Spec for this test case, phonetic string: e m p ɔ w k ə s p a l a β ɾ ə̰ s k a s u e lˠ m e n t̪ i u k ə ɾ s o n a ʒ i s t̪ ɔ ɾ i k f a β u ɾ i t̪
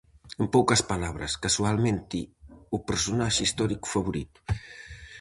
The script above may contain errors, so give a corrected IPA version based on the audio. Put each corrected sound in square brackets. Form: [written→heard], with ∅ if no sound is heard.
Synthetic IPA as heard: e m p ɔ w k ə s p a l a β ɾ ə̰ s k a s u [e→a] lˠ m e n t̪ i u [k→p] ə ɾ s [o→u] n a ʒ i s t̪ ɔ ɾ i k f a β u ɾ i t̪